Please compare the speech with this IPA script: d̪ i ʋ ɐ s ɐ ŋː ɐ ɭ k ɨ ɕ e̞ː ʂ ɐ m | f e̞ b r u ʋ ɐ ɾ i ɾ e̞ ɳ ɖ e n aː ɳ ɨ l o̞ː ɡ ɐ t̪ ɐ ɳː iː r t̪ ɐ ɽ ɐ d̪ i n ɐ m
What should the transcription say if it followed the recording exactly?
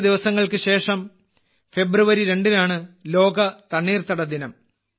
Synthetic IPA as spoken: d̪ i ʋ ɐ s ɐ ŋː ɐ ɭ k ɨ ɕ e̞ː ʂ ɐ m | f e̞ b r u ʋ ɐ ɾ i ɾ e̞ ɳ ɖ i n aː ɳ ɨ l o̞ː ɡ ɐ t̪ ɐ ɳː iː r t̪ ɐ ɽ ɐ d̪ i n ɐ m